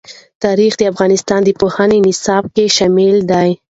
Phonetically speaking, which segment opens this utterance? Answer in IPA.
t̪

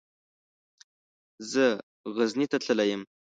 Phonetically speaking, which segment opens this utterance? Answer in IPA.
z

